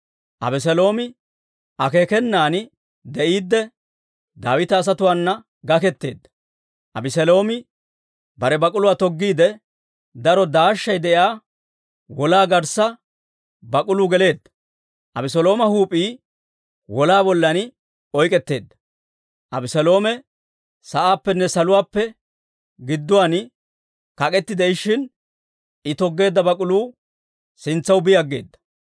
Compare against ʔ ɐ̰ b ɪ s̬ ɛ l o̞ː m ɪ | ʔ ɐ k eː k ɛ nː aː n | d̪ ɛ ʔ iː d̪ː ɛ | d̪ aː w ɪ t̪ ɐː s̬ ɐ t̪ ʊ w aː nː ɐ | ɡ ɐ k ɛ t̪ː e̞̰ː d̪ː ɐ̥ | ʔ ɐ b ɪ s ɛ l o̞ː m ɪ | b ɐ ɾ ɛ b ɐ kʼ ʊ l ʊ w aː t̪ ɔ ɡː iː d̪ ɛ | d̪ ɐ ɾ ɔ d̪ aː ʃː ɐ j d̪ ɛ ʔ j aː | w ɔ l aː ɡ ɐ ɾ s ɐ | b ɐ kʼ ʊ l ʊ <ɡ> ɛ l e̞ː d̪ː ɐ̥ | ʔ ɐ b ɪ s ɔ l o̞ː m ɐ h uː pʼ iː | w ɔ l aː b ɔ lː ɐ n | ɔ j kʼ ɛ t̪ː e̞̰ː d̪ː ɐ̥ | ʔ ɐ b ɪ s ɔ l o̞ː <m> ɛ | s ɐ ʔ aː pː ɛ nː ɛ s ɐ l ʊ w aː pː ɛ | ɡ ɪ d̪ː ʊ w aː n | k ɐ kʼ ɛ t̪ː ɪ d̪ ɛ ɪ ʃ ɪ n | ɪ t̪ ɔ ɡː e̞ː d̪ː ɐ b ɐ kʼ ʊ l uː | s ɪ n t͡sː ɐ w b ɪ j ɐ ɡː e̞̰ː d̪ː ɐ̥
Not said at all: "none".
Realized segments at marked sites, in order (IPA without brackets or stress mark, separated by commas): ɡ, m